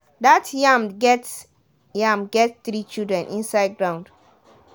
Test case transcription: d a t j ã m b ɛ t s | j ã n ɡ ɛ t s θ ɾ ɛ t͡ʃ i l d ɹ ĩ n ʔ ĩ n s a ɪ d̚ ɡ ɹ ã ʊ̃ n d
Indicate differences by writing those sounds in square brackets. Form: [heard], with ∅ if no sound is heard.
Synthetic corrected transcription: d a t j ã m [ɡ] ɛ t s | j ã [m] ɡ ɛ t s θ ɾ [i] t͡ʃ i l d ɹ [ɛ̃] n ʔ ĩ n s a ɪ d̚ ɡ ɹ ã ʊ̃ n d